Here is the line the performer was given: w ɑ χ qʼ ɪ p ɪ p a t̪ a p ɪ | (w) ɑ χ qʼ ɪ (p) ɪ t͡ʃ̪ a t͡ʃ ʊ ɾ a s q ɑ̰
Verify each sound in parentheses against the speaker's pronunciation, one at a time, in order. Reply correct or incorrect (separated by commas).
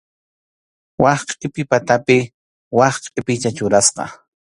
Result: correct, correct